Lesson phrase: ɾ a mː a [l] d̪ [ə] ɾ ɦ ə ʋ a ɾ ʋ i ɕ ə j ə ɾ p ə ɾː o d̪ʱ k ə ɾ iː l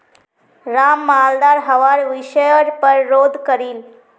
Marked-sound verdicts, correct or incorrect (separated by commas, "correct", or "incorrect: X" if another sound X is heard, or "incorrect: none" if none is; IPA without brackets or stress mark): correct, incorrect: a